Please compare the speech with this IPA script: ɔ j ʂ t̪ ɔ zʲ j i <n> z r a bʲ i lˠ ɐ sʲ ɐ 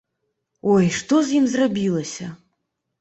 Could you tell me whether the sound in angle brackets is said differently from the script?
yes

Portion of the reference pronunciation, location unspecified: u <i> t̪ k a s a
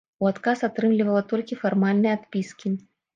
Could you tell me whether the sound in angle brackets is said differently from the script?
yes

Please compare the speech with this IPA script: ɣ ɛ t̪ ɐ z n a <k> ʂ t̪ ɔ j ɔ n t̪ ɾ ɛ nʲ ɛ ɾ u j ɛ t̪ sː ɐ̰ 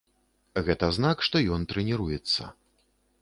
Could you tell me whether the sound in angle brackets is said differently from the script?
no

